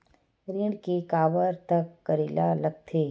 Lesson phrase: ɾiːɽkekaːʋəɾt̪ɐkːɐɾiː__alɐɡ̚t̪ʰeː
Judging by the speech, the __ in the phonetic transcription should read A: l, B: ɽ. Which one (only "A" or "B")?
A